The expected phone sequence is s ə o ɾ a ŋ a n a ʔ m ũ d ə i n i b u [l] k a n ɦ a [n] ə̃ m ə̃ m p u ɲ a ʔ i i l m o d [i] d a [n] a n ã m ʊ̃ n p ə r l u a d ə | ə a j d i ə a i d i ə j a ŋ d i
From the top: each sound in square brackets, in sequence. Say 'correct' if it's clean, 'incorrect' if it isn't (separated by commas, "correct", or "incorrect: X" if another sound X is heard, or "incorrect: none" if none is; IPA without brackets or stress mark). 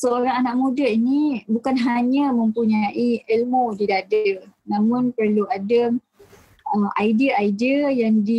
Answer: incorrect: none, incorrect: ɲ, correct, incorrect: d